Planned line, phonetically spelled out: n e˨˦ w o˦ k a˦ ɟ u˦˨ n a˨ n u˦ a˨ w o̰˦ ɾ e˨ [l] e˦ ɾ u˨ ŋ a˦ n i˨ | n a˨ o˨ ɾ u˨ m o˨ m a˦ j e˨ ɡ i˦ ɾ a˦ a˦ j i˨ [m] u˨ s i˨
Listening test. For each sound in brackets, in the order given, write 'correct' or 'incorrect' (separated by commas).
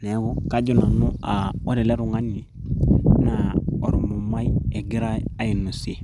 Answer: correct, incorrect